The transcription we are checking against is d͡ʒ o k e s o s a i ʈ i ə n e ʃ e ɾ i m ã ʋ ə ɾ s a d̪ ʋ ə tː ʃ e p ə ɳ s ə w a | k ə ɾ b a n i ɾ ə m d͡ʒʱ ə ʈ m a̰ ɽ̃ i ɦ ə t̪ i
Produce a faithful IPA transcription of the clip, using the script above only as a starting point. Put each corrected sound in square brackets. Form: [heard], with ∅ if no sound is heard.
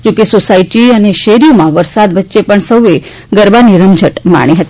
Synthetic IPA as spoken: d͡ʒ o k e s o s a i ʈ i ə n e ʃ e ɾ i m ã ʋ ə ɾ s a d̪ ʋ ə tː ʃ e p ə ɳ s ə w [e] | [ɡ] ə ɾ b a n i ɾ ə m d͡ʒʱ ə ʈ m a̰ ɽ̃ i ɦ ə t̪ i